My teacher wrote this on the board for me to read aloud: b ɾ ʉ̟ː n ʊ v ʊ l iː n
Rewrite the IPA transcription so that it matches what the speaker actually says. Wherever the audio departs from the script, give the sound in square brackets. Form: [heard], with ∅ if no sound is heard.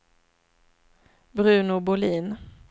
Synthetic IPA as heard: b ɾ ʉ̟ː n ʊ [b] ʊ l iː n